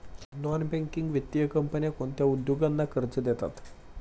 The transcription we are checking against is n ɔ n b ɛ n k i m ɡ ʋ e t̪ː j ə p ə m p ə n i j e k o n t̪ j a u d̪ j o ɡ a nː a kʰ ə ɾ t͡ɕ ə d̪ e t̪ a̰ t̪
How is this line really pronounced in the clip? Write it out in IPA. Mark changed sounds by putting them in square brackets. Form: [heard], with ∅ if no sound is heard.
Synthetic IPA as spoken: n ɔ n b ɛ [ŋ] k i [ŋ] ɡ ʋ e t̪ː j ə [k] ə m p ə n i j [a] k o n t̪ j a u d̪ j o ɡ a nː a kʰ ə ɾ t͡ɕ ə d̪ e t̪ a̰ t̪